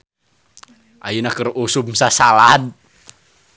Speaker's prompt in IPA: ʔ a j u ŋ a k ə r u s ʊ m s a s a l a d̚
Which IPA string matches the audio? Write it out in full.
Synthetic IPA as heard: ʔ a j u n a k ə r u s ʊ m s a s a l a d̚